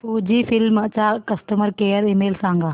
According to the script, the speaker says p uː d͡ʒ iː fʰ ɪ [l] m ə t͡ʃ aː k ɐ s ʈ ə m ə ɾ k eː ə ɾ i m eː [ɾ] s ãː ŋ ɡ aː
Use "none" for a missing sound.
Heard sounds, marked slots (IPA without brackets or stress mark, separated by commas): l, l